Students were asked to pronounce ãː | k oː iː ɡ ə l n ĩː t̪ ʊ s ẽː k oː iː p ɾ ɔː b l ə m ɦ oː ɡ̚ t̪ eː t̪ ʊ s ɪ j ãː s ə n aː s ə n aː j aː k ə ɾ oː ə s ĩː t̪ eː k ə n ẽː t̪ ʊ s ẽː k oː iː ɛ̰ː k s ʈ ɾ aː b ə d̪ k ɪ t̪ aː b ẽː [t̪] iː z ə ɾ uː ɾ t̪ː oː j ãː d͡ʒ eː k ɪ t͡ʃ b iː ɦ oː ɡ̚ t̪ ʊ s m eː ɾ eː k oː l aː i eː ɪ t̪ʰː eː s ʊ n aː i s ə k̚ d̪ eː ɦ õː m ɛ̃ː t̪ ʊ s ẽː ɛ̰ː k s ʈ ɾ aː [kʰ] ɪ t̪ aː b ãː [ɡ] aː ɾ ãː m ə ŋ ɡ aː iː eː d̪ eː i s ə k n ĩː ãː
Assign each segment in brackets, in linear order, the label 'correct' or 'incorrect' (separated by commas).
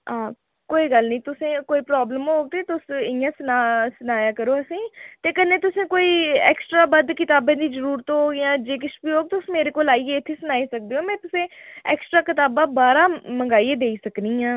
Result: incorrect, incorrect, incorrect